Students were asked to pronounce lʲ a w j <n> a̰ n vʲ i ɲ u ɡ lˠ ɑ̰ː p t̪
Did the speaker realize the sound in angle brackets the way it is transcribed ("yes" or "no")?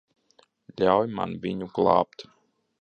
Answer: no